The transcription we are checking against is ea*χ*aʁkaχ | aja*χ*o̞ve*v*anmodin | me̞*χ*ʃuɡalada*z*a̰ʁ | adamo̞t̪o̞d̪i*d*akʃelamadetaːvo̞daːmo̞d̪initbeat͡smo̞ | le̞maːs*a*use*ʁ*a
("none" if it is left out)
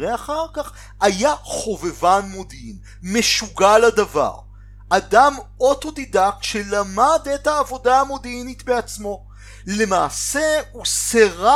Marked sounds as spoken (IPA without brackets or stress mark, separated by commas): χ, χ, v, none, v, d, e, ʁ